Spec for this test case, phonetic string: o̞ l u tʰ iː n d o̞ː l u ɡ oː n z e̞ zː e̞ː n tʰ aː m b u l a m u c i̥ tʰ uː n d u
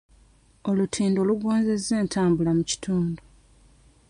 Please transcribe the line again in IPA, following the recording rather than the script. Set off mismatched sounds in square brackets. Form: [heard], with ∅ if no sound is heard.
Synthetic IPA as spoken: o̞ l u tʰ iː n d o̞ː l u ɡ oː n z e̞ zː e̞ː n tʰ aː m b u l a m u c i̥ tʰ uː n d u